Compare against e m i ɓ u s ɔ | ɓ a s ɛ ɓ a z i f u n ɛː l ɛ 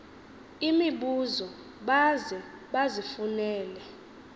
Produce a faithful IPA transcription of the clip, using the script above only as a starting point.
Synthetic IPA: i m i ɓ u z ɔ | ɓ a z ɛ ɓ a z i f u n ɛː l ɛ